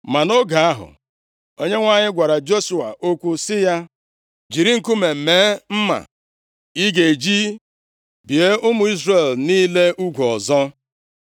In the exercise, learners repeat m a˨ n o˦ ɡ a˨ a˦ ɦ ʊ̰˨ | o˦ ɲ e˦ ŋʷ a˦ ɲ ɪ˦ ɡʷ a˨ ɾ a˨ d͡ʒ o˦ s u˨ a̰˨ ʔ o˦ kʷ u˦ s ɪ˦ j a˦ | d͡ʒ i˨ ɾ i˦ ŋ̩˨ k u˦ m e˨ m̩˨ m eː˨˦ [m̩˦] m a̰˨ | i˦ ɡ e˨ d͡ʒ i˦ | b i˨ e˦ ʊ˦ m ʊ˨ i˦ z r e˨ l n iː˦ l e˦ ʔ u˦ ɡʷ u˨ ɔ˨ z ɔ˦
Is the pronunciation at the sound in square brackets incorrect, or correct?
correct